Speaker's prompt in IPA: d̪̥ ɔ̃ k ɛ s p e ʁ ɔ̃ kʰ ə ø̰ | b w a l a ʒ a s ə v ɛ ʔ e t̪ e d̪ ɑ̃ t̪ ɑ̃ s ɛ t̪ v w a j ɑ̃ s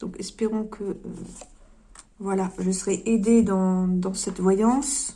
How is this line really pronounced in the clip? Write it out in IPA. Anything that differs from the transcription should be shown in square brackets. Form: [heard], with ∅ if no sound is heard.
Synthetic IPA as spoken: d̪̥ ɔ̃ k ɛ s p e ʁ ɔ̃ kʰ ə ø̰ | [v] w a l a ʒ [ə] s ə [ʁ] ɛ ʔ e [d̪] e d̪ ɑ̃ [d̪] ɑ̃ s ɛ t̪ v w a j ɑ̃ s